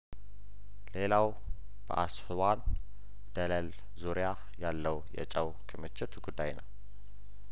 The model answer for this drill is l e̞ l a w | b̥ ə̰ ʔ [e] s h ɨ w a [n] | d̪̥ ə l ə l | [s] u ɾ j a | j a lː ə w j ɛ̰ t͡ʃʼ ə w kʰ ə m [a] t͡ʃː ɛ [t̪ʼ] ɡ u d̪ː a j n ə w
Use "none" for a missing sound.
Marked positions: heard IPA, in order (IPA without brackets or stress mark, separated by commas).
a, n, z, ə, t̪